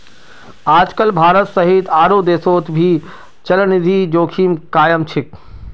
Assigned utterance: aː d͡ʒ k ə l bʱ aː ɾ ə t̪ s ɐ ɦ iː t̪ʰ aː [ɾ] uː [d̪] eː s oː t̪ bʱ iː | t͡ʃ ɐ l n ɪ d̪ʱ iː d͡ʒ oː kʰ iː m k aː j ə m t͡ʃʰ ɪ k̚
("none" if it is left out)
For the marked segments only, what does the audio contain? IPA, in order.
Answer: ɾ, d̪

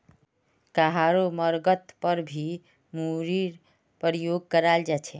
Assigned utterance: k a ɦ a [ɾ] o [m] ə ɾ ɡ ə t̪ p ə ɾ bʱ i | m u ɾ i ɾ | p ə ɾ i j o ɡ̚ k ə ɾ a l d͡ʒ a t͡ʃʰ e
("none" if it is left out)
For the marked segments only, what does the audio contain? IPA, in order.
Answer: ɾ, m

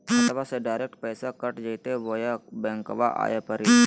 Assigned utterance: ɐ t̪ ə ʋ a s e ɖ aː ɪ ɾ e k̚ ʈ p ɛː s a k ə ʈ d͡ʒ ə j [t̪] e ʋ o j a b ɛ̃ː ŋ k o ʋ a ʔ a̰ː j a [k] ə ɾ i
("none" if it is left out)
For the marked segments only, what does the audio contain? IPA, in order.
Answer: t̪, p

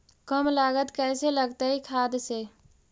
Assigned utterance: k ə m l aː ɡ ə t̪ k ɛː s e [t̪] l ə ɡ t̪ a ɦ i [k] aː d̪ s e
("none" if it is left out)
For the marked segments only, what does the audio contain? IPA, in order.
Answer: none, kʰ

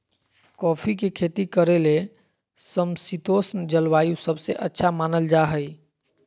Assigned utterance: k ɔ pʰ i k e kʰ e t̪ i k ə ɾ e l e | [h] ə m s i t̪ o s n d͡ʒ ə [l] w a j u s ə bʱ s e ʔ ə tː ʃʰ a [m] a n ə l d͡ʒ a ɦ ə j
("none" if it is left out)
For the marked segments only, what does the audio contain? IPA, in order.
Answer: s, l, m

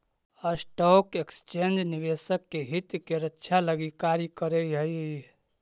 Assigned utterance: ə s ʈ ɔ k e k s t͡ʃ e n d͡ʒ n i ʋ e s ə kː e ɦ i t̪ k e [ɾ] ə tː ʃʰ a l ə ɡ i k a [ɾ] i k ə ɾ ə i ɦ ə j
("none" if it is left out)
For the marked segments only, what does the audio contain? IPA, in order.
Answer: ɾ, ɾ

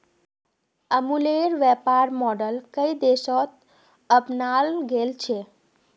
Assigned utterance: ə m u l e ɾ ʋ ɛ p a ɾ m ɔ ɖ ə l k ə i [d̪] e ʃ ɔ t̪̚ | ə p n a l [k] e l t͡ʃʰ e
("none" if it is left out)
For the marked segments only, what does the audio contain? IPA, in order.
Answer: d̪, ɡ

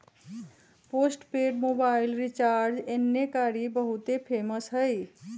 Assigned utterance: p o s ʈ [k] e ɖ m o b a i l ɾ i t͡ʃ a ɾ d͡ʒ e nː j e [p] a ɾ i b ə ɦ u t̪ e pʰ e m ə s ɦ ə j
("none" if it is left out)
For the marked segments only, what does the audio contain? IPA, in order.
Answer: p, k

